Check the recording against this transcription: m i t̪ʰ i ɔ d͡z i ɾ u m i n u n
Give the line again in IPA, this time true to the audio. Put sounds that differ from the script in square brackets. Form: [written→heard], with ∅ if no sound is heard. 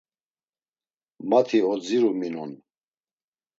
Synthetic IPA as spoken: m [i→a] t̪ʰ i ɔ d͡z i ɾ u m i n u n

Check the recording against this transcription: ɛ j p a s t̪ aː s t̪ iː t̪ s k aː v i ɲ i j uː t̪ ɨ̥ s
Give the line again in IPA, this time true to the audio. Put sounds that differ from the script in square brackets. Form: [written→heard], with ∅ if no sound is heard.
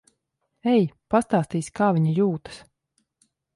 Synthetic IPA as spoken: ɛ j p a s t̪ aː s t̪ iː [t̪→∅] s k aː v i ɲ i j uː t̪ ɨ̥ s

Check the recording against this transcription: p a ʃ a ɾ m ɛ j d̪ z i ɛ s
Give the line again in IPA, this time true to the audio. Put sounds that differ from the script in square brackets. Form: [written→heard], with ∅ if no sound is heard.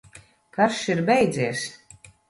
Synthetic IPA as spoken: [p→k] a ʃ [a→i] ɾ [m→b] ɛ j d̪ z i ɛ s

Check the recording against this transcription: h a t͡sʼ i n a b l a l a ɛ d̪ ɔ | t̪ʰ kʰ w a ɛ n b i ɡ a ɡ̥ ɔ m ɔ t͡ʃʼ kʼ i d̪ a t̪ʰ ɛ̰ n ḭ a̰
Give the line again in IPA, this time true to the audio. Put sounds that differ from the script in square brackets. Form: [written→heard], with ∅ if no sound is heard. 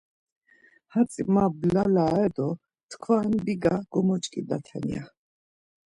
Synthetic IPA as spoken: h a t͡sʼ i [n→m] a b l a l a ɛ d̪ ɔ | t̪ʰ kʰ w a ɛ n b i ɡ a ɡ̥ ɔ m ɔ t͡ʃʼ kʼ i d̪ a t̪ʰ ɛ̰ n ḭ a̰

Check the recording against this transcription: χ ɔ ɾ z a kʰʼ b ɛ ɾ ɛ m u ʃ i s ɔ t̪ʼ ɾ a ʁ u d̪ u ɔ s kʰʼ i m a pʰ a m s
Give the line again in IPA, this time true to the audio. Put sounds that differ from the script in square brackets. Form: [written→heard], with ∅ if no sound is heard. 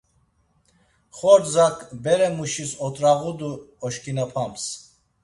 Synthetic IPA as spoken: χ ɔ ɾ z a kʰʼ b ɛ ɾ ɛ m u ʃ i s ɔ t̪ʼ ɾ a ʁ u d̪ u ɔ [s→ʃ] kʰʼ i [m→n] a pʰ a m s

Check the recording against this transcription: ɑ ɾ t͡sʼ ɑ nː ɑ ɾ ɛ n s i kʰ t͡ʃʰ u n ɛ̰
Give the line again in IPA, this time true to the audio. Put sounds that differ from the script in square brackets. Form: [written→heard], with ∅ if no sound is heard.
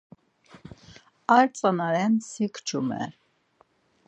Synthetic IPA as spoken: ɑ ɾ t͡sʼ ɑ [nː→n] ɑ ɾ ɛ n s i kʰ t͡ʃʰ u [n→m] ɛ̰

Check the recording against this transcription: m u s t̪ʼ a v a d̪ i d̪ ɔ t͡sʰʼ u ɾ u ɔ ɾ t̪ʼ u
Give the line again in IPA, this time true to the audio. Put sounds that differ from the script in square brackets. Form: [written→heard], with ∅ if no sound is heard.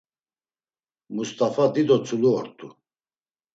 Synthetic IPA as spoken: m u s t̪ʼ a [v→f] a d̪ i d̪ ɔ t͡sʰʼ u [ɾ→l] u ɔ ɾ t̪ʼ u

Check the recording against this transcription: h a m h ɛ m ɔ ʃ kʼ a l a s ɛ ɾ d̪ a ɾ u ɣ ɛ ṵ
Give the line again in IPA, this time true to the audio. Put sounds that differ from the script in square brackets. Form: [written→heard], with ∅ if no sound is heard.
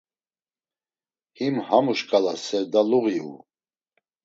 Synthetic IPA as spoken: h [a→i] m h [ɛ→a] m [ɔ→u] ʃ kʼ a l a s ɛ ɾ d̪ a [ɾ→l] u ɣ [ɛ→i] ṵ

